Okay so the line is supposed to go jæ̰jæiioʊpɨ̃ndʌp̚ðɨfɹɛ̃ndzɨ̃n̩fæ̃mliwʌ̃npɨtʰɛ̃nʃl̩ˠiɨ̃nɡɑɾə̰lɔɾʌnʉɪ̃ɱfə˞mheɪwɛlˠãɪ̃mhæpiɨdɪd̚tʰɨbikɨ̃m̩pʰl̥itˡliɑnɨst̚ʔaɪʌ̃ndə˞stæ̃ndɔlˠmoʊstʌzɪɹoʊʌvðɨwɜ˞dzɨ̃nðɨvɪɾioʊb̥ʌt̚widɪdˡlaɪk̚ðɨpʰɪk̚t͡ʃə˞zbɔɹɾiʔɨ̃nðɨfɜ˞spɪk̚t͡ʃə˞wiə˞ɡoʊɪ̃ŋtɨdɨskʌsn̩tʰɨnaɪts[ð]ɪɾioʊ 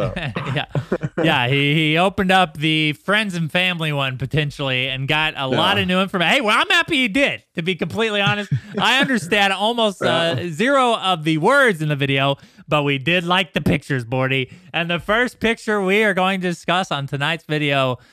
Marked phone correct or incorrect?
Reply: incorrect